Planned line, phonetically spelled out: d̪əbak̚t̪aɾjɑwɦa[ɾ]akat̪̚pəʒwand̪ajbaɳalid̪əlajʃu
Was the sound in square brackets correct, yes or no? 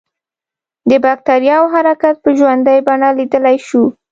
yes